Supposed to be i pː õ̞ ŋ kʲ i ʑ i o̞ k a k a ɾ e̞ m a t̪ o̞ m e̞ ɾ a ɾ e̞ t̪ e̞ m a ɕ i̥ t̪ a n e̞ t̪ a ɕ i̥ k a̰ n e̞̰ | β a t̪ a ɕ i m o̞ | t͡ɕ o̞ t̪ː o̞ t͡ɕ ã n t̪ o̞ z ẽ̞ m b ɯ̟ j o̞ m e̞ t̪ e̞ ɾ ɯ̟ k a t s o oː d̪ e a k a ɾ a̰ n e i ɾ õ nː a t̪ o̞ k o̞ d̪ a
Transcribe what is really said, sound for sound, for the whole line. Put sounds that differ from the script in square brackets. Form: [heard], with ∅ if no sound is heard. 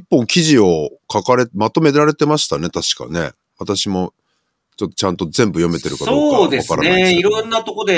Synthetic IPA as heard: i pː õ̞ ŋ kʲ i ʑ i o̞ k a k a ɾ e̞ m a t̪ o̞ m e̞ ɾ a ɾ e̞ t̪ e̞ m a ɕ i̥ t̪ a n e̞ t̪ a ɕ i̥ k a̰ n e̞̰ | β a t̪ a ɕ i m o̞ | t͡ɕ o̞ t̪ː o̞ t͡ɕ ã n t̪ o̞ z ẽ̞ m b ɯ̟ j o̞ m e̞ t̪ e̞ ɾ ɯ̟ k a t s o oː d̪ e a k a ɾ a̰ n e i ɾ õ nː a t̪ o̞ k o̞ d̪ [e]